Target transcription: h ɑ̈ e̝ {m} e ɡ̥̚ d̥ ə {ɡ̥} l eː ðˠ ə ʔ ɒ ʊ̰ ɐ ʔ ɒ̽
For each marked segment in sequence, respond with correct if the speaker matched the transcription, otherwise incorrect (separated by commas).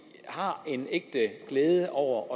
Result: incorrect, correct